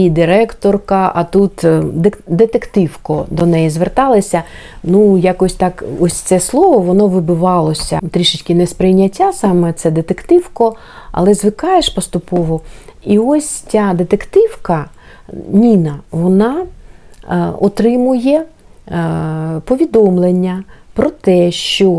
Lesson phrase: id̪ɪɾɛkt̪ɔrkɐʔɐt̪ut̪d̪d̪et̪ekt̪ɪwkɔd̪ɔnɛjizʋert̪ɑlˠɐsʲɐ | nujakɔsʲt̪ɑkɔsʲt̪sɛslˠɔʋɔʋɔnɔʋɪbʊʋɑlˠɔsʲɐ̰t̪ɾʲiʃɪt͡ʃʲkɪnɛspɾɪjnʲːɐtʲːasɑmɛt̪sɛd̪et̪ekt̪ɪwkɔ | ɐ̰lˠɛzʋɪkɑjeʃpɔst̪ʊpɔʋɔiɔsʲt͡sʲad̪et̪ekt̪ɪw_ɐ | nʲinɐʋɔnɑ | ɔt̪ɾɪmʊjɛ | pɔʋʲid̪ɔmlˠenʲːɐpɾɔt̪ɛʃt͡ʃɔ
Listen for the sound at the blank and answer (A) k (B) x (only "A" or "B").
A